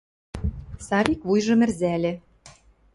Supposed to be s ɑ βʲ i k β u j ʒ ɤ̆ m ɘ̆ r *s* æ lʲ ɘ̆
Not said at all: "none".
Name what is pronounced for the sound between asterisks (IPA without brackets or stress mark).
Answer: z